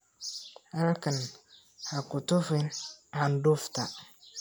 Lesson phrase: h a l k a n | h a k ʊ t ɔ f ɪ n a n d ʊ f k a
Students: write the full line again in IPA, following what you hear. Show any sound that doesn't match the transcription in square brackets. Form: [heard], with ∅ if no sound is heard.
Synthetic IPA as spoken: h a l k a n | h a k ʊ t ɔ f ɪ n a n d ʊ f [t] a